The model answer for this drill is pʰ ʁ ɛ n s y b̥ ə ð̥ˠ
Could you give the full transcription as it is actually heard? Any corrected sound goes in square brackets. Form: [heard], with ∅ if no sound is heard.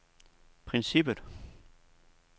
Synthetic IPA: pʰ ʁ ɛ n s [i] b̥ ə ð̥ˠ